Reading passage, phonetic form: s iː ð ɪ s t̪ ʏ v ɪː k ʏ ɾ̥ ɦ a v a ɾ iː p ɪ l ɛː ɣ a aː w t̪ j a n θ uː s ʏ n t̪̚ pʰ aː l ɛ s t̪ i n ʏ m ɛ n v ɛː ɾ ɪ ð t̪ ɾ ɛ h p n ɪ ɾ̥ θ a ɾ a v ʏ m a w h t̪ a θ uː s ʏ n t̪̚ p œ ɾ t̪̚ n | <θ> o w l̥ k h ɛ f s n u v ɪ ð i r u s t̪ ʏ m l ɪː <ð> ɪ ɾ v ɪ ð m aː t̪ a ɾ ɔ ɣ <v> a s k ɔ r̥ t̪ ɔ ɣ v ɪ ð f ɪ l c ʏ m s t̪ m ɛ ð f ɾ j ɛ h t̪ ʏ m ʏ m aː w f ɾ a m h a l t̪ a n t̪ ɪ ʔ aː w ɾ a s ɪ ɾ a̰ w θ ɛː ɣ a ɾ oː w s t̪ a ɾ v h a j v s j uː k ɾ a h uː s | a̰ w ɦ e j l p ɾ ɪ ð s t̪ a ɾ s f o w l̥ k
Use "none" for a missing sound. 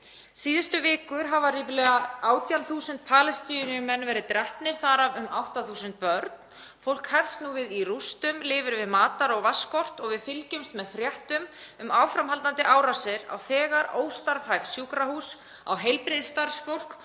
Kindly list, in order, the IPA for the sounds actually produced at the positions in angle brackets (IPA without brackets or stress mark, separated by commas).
f, v, v